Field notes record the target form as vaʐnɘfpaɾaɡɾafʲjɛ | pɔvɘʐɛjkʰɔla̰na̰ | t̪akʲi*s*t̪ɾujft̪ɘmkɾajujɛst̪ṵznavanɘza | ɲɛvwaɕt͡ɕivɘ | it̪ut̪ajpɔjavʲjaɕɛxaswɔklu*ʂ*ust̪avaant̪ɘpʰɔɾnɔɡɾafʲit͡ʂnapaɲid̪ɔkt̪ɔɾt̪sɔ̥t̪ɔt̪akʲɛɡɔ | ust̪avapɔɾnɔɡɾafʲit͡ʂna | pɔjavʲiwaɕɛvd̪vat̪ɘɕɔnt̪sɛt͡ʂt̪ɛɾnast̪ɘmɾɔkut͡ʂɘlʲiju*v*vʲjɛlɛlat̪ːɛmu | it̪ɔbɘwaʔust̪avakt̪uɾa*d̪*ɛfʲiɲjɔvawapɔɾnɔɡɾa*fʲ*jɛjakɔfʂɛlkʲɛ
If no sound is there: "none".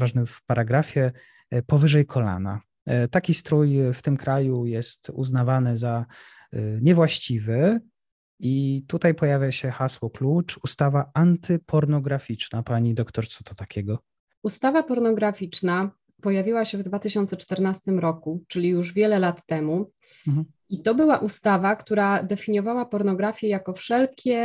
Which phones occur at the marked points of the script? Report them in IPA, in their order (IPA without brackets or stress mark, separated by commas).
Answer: s, t͡ʂ, ʐ, d̪, fʲ